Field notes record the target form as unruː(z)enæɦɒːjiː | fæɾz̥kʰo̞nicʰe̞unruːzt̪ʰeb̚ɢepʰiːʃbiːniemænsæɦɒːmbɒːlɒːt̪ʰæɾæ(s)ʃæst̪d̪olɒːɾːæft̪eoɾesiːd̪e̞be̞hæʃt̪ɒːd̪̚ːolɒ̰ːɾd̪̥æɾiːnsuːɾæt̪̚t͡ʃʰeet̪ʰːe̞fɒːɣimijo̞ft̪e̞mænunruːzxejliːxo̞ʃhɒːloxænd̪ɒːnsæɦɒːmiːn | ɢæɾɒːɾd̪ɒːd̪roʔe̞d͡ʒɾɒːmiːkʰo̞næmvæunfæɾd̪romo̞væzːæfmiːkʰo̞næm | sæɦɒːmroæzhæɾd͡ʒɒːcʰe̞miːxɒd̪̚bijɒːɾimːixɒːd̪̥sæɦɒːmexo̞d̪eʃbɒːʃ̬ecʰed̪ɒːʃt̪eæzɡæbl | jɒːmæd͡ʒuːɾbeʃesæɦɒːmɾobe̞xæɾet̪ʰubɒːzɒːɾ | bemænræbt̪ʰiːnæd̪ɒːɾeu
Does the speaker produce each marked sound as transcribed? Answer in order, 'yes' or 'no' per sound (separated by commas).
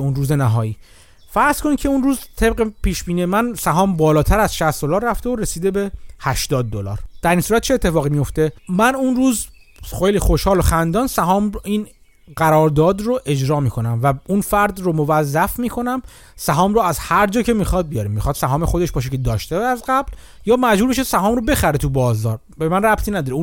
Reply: yes, no